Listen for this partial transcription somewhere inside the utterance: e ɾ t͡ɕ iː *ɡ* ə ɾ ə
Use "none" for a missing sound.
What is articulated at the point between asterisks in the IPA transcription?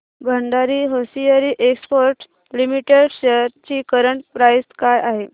k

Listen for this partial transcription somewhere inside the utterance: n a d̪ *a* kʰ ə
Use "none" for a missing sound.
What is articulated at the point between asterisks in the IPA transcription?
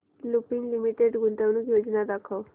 a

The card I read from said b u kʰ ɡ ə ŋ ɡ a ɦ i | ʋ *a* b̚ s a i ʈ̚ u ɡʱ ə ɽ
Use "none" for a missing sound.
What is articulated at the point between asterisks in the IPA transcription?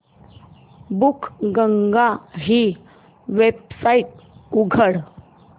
e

